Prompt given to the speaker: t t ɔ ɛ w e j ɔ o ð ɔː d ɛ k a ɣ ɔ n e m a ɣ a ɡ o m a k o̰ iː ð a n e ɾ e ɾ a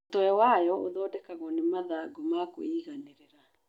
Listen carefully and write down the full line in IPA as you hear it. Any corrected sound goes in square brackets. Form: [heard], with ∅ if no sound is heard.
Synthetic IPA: t t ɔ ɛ w [a] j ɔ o ð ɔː d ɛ k a ɣ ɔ n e m a [ð] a ɡ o m a k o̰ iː [ɣ] a n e ɾ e ɾ a